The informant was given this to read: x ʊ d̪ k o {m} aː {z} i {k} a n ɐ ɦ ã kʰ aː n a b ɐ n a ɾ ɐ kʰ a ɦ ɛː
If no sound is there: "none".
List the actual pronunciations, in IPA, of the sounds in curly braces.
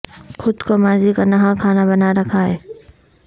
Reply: m, z, k

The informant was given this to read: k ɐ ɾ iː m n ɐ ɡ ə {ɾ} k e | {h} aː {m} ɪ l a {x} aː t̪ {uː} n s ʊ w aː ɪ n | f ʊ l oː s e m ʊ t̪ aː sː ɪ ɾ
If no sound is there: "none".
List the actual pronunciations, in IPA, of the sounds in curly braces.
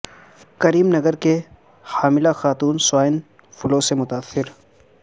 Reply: ɾ, h, m, x, uː

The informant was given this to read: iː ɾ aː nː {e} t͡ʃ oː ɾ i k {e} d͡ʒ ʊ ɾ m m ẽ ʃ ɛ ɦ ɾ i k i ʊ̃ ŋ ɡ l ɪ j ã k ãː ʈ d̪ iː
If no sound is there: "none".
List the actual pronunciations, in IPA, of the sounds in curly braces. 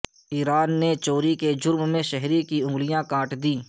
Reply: e, e

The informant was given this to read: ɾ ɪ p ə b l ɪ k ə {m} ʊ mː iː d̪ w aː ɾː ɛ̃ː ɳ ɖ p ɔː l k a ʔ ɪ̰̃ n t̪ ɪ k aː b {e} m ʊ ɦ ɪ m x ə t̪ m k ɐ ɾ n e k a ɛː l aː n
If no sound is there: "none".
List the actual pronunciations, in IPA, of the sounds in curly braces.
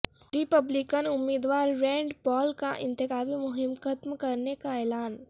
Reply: n, i

